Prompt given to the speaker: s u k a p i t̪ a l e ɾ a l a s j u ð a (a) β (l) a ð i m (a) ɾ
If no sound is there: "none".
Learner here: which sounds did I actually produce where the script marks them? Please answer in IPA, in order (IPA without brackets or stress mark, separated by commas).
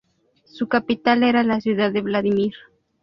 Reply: e, l, i